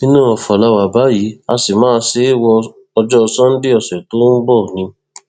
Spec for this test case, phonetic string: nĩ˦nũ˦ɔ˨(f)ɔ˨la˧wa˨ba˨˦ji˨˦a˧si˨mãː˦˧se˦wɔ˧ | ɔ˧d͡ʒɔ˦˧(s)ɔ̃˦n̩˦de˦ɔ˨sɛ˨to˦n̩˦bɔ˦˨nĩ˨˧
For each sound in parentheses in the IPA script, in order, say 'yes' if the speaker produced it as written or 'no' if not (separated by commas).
yes, yes